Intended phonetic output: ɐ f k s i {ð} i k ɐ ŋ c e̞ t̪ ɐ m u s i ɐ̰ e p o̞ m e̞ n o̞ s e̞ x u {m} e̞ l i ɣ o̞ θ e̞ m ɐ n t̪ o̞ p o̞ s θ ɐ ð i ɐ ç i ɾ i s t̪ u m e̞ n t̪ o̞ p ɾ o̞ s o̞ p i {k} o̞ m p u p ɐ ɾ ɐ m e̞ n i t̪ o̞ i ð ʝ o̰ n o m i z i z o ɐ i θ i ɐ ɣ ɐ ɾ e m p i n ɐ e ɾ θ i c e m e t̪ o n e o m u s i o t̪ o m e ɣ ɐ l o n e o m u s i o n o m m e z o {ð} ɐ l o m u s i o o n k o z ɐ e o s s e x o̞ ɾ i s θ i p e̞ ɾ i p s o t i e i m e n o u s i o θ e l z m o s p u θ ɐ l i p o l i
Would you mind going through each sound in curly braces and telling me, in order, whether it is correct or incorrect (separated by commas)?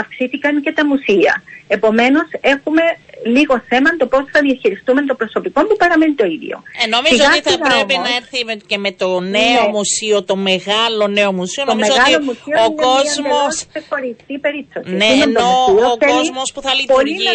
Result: incorrect, correct, correct, incorrect